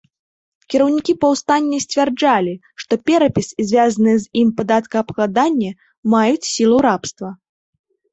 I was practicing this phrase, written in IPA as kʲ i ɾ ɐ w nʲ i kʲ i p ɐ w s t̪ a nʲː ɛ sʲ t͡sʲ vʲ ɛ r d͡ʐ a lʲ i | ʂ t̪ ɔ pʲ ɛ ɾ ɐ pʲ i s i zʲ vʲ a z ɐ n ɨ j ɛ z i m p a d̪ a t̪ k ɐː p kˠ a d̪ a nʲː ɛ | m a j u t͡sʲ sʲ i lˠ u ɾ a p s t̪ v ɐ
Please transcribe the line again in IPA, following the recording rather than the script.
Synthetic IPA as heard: kʲ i ɾ ɐ w nʲ i kʲ i p ɐ w s t̪ a nʲː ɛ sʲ t͡sʲ vʲ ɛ r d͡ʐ a lʲ i | ʂ t̪ ɔ pʲ ɛ ɾ ɐ pʲ i s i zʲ vʲ a z ɐ n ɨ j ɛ z i m p a d̪ a t̪ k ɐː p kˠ a d̪ a nʲː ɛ | m a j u t͡sʲ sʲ i lˠ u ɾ a p s t̪ v ɐ